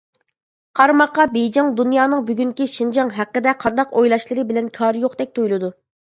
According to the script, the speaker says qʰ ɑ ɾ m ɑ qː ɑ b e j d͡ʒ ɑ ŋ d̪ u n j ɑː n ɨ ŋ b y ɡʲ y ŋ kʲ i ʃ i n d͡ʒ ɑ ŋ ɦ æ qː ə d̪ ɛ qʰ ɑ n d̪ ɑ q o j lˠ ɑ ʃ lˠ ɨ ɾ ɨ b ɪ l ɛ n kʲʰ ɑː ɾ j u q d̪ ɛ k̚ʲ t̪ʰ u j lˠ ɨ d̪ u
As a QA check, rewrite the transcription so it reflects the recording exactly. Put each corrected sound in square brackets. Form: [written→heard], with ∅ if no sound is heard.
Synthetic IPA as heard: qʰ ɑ ɾ m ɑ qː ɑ b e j d͡ʒ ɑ ŋ d̪ u n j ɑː n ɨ ŋ b y ɡʲ y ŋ kʲ i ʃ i n d͡ʒ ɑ ŋ ɦ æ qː ə d̪ ɛ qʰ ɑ n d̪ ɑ q o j lˠ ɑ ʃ lˠ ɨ ɾ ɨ b ɪ l ɛ n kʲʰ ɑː ɾ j [u→o] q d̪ ɛ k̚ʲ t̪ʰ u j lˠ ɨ d̪ u